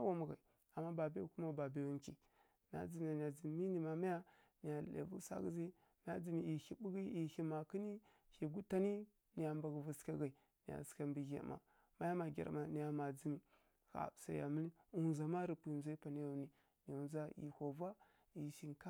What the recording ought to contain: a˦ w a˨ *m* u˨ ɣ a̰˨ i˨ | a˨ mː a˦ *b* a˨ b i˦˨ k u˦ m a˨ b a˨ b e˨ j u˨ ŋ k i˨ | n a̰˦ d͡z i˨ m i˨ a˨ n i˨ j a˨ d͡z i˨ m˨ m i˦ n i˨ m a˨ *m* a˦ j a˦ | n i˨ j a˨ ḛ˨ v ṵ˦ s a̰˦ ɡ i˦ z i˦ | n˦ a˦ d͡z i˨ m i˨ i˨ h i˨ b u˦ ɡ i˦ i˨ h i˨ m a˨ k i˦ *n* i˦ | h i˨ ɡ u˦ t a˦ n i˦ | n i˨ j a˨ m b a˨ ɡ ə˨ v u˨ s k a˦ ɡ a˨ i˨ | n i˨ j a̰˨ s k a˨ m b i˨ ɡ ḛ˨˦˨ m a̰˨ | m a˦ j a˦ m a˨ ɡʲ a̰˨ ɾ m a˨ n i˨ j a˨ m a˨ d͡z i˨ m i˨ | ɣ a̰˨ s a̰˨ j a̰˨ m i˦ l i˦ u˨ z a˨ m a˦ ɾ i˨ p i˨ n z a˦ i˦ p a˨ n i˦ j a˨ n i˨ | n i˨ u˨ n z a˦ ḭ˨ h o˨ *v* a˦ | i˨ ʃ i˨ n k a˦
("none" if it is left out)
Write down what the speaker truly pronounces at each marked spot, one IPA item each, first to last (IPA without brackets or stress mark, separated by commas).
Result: m, b, m, n, v